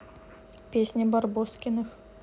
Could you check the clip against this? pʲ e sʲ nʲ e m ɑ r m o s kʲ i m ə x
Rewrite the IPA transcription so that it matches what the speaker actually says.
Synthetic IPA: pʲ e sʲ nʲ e b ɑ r b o s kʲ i n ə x